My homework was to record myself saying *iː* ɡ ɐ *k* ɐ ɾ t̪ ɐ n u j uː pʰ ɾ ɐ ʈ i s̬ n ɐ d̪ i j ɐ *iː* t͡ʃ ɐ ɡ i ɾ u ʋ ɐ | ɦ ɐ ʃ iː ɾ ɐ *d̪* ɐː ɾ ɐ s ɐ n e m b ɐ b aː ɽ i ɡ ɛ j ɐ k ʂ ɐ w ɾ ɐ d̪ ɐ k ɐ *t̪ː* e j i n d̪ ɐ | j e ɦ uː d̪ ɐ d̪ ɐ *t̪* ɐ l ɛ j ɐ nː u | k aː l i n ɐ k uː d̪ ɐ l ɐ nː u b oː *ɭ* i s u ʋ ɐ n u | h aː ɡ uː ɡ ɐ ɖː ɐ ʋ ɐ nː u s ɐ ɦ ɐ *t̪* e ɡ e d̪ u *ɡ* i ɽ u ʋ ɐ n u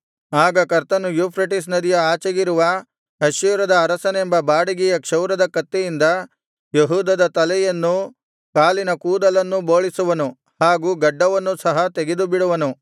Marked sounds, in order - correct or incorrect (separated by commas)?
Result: incorrect, correct, incorrect, correct, correct, correct, correct, correct, incorrect